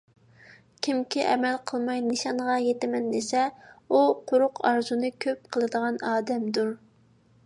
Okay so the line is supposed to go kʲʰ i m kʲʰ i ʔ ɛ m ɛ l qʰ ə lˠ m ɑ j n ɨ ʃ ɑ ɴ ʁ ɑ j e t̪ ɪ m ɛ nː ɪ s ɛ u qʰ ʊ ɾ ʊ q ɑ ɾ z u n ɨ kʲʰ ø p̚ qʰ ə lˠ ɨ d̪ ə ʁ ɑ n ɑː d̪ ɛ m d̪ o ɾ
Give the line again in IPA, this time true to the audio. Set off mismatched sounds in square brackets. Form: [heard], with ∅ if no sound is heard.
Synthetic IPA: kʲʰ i m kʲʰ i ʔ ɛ m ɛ l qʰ ə lˠ m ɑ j n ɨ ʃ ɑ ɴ ʁ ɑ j e t̪ ɪ m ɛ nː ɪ s ɛ u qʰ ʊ ɾ ʊ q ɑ ɾ z u n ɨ kʲʰ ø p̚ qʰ ə lˠ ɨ d̪ ə ʁ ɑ n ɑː d̪ ɛ m d̪ [u] ɾ